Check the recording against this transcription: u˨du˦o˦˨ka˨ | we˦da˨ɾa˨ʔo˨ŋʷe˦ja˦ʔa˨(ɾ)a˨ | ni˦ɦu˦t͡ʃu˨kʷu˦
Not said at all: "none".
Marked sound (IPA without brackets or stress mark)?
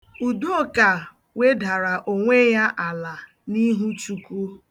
l